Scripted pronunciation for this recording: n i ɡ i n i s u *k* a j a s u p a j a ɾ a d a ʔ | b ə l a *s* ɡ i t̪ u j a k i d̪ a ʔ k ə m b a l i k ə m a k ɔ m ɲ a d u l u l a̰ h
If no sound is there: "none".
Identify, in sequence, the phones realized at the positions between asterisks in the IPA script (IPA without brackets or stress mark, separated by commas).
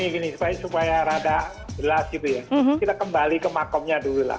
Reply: p, s